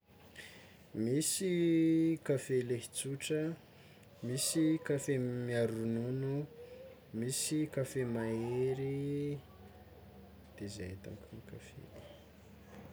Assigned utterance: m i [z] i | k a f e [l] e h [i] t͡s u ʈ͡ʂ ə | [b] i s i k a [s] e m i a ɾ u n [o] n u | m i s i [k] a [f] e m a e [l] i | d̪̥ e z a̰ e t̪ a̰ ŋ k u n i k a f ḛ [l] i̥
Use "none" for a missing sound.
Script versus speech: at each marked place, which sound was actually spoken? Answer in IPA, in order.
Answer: s, l, i, m, f, u, k, f, ɾ, l

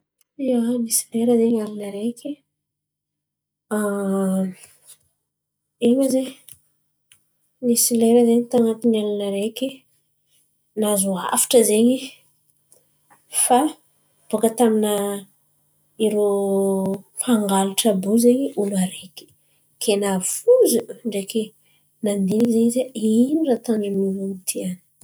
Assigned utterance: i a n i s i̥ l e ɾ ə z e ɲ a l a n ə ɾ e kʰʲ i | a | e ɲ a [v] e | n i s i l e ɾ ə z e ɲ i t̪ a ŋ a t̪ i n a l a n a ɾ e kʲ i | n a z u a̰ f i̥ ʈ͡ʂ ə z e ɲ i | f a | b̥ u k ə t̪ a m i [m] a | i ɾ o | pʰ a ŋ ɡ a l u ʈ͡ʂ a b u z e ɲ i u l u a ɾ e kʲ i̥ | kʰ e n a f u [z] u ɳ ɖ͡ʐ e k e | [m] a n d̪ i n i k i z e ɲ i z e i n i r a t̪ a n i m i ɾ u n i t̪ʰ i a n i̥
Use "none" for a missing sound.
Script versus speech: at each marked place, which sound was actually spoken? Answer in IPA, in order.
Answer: z, n, z, n

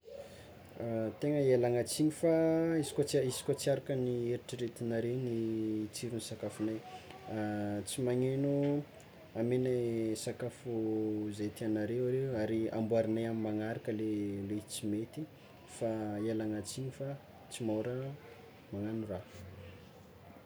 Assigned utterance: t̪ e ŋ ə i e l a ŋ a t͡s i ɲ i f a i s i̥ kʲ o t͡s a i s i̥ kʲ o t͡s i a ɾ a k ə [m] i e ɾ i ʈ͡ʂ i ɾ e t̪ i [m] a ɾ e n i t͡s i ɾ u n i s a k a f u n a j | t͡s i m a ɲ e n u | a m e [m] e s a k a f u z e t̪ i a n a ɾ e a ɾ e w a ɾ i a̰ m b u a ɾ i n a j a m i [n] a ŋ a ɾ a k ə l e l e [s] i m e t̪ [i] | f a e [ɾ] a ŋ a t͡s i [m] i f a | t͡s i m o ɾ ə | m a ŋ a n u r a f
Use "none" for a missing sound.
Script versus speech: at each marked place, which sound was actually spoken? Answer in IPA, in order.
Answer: n, n, n, m, t͡s, i, l, ɲ

